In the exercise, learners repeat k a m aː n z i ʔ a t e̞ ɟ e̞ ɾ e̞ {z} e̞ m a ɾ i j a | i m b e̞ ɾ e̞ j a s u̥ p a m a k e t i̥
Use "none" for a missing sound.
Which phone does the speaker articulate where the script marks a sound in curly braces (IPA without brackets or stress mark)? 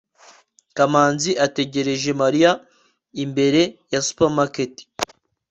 ʒ